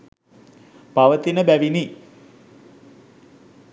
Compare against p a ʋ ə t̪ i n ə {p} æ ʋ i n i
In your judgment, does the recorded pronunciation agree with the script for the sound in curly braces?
no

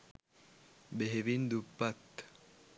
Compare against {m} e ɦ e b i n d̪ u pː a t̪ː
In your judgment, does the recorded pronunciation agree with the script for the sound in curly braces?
no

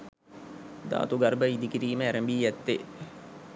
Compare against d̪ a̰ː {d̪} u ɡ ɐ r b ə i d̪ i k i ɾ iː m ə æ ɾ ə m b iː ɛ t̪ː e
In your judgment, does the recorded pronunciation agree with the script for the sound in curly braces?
no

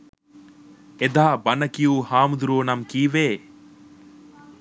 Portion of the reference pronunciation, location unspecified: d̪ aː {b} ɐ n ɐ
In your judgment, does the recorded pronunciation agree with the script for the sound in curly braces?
yes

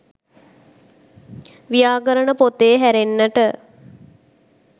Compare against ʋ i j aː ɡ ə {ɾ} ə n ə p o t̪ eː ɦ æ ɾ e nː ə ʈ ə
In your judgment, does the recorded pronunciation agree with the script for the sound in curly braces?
yes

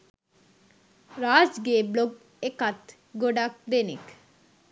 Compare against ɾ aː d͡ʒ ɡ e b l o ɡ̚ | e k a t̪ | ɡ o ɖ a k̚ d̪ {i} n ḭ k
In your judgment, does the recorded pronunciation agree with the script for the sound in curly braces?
no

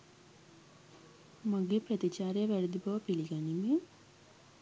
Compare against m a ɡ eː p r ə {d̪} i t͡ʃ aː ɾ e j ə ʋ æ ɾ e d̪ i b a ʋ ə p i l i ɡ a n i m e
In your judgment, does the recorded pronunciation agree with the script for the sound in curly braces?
no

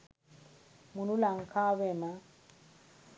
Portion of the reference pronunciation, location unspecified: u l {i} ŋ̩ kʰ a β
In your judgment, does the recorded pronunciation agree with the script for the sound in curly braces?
no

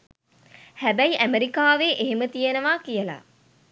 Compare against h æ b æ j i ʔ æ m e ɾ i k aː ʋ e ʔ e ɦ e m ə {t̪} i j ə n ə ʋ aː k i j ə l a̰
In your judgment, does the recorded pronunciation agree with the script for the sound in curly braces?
yes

